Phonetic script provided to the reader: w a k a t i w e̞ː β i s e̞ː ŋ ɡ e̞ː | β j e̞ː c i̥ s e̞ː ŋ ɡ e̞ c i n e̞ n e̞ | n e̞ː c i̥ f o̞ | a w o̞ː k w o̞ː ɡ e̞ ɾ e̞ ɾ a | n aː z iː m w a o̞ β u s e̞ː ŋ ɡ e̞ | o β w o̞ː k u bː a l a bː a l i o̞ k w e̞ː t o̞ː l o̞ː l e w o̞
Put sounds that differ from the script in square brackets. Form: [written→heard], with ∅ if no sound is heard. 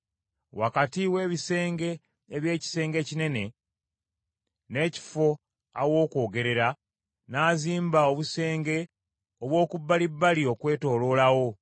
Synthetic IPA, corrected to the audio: w a k a t i w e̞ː β i s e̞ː ŋ ɡ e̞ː | β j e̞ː c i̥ s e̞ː ŋ ɡ e̞ c i n e̞ n e̞ | n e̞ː c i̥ f o̞ | a w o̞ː k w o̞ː ɡ e̞ ɾ e̞ ɾ a | n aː z iː m [w→b] a o̞ β u s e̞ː ŋ ɡ e̞ | o β w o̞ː k u bː a l [a→i] bː a l i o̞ k w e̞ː t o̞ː l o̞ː l [e→a] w o̞